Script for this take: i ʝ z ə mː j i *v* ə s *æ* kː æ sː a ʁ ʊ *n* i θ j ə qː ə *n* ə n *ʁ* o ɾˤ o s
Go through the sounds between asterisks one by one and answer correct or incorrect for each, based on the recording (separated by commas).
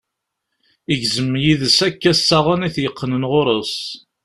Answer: incorrect, correct, correct, correct, correct